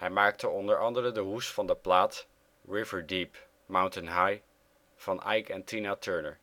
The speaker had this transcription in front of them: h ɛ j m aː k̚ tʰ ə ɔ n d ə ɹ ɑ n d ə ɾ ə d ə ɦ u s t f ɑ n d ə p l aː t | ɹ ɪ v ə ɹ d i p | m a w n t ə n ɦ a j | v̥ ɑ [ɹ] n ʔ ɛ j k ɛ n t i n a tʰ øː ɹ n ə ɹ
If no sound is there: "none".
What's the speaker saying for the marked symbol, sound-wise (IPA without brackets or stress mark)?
none